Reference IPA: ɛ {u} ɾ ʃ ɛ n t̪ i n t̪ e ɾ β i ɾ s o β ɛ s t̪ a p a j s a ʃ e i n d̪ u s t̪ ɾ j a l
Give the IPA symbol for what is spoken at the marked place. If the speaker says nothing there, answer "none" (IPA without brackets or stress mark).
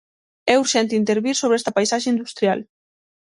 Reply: u